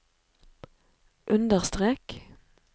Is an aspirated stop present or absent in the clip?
absent